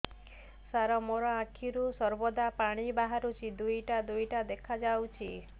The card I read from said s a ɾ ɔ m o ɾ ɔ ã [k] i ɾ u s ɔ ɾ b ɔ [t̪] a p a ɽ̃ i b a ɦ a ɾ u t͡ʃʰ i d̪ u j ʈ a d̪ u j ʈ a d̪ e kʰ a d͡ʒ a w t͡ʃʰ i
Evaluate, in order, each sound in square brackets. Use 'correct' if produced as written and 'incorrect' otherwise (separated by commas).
incorrect, incorrect